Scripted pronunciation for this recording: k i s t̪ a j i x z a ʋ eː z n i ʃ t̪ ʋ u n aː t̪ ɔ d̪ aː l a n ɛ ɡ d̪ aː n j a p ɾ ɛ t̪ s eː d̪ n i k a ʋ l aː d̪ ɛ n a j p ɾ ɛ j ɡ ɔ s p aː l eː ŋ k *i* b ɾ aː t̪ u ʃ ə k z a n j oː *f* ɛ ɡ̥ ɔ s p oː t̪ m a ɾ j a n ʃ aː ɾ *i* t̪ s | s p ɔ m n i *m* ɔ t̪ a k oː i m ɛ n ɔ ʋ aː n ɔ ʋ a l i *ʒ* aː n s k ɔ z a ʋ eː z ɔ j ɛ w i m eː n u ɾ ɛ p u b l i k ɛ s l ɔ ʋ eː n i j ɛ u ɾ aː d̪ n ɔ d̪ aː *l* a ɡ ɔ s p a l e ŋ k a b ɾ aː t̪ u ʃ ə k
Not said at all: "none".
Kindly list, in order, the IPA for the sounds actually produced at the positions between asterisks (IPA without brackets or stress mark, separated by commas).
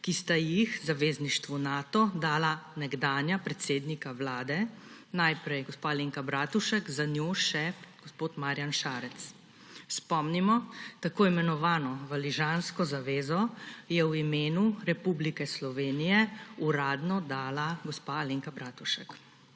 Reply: a, ʃ, ɛ, m, ʒ, l